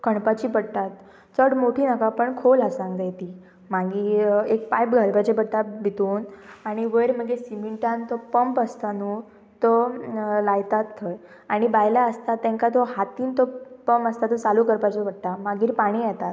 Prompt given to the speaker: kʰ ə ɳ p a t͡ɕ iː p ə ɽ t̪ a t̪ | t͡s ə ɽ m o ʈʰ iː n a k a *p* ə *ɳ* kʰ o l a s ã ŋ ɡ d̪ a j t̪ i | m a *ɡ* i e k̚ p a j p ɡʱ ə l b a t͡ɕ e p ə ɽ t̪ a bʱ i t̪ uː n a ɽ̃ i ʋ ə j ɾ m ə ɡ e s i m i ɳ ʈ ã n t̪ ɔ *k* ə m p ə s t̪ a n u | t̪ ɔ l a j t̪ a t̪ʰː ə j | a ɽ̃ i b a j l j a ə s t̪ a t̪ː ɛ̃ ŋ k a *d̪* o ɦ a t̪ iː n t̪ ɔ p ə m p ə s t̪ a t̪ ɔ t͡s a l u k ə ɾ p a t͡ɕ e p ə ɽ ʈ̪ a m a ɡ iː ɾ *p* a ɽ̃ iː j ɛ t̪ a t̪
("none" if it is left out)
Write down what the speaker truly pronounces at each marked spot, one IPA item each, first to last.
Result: p, ɳ, ɡ, p, t̪, p

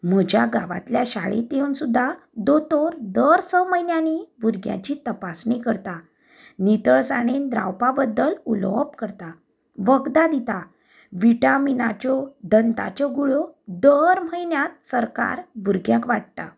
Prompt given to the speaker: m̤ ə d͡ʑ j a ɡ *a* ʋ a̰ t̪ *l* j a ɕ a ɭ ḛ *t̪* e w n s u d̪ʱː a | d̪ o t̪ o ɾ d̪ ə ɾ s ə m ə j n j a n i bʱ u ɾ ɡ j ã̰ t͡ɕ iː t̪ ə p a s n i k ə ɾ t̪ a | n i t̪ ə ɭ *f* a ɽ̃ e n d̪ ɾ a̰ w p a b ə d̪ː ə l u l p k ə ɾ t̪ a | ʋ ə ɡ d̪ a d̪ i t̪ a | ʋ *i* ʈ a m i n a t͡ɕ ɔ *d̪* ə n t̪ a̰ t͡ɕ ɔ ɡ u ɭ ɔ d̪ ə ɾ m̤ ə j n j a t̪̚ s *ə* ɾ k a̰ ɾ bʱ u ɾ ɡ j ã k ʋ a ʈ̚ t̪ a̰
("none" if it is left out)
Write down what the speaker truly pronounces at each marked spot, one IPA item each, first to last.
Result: a, l, t̪, s, i, d̪, ə

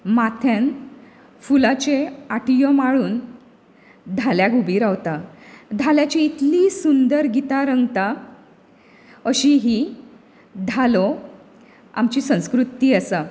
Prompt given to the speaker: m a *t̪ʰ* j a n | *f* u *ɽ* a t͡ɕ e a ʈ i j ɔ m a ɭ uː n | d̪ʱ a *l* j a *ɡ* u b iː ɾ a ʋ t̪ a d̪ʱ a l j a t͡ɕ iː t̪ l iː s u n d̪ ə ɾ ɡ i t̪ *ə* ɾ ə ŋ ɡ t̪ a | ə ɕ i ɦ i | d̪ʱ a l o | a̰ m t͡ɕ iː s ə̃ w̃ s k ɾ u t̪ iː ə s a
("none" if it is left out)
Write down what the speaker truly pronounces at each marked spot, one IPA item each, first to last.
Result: t̪ʰ, f, l, l, ɡ, a

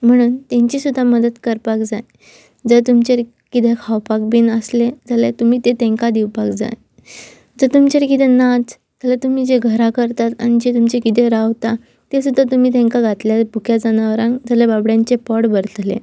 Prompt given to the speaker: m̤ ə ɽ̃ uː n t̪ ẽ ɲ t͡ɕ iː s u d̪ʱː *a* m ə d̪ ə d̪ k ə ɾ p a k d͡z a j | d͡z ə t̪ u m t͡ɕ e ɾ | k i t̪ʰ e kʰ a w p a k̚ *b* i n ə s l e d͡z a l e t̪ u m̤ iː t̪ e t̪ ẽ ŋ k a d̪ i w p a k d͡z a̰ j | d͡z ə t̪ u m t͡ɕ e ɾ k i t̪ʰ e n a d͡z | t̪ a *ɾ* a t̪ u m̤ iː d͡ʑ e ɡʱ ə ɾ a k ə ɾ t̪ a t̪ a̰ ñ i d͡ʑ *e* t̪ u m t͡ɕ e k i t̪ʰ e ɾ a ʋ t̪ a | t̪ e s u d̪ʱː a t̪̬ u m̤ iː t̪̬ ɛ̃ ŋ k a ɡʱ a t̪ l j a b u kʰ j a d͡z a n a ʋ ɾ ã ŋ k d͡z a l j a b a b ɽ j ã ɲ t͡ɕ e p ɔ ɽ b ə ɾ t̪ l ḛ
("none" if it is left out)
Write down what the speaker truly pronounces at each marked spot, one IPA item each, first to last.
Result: a, b, l, e

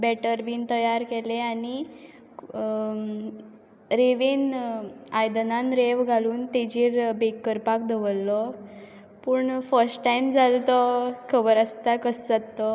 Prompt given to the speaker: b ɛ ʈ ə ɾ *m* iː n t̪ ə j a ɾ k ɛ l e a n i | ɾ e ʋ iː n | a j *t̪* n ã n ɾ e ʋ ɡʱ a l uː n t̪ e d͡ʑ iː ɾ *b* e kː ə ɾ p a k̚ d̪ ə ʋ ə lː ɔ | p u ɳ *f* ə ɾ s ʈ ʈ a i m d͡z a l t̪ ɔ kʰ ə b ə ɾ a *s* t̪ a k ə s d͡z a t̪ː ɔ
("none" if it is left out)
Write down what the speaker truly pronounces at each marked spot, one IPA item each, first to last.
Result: b, d̪, b, f, s

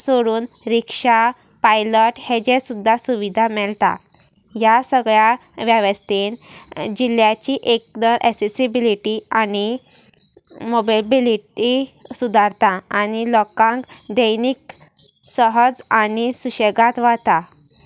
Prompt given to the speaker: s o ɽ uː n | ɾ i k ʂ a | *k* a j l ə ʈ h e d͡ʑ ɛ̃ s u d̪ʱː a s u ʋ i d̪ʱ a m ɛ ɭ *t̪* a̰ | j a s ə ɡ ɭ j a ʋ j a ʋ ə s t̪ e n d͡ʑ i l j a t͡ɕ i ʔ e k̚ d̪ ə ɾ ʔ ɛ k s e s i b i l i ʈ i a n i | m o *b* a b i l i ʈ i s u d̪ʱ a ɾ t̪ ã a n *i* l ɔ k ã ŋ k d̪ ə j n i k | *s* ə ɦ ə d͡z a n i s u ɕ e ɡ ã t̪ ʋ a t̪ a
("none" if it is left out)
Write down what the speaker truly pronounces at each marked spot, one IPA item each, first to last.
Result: p, t̪, b, i, s

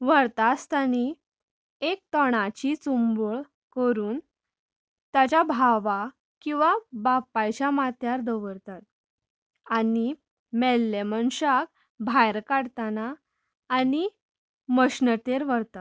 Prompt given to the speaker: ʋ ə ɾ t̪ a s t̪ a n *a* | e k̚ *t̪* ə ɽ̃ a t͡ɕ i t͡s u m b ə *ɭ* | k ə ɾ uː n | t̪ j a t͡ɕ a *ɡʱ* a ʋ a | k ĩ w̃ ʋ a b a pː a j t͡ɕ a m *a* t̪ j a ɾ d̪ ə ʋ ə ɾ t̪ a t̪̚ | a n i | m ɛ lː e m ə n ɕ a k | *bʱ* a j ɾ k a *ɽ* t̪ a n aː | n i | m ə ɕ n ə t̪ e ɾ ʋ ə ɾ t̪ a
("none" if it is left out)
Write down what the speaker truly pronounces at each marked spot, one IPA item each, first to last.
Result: i, t̪, ɭ, bʱ, a, bʱ, ɽ

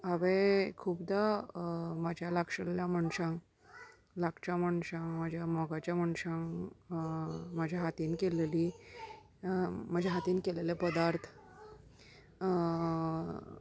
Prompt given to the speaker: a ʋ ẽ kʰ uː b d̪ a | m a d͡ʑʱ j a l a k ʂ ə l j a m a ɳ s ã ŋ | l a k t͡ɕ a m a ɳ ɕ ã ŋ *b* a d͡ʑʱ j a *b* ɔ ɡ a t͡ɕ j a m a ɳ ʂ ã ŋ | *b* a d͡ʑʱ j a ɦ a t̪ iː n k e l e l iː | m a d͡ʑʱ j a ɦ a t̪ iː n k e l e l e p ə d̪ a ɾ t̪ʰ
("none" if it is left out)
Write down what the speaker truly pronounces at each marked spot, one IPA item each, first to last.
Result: m, m, m

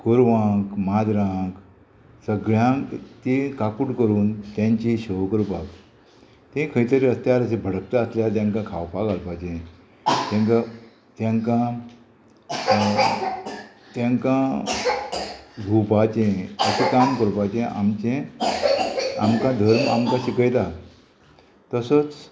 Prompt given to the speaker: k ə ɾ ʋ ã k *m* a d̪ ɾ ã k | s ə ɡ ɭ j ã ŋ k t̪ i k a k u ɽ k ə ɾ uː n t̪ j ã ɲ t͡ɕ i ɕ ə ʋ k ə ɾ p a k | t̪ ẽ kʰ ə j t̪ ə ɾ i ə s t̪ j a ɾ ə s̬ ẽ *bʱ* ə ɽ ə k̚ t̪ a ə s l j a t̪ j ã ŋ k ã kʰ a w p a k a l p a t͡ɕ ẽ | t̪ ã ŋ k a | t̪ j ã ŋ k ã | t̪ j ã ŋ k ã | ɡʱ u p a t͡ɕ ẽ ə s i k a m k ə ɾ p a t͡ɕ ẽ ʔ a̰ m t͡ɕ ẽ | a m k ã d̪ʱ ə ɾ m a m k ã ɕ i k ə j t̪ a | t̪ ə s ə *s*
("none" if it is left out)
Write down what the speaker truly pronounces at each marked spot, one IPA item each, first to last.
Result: m, bʱ, t͡s

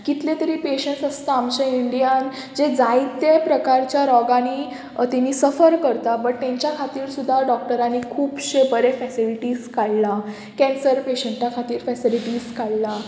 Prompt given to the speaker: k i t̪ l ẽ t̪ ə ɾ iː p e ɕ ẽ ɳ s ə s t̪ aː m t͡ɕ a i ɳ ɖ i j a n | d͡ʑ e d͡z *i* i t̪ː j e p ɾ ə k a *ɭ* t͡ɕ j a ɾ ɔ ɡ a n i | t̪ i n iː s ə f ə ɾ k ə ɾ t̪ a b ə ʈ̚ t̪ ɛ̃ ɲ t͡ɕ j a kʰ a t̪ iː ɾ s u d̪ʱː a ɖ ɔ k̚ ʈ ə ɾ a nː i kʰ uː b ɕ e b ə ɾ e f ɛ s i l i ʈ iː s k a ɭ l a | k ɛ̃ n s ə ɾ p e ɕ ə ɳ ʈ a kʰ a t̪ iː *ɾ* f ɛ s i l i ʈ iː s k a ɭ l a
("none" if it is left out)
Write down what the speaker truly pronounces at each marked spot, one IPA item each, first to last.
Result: a, ɾ, ɾ

